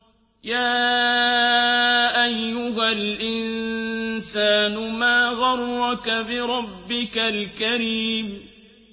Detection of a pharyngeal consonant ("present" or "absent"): absent